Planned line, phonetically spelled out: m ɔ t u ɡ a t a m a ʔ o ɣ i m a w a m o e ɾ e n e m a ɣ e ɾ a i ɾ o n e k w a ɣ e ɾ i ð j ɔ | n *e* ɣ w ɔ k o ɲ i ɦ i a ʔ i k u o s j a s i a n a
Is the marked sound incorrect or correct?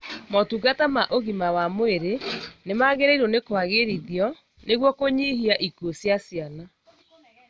correct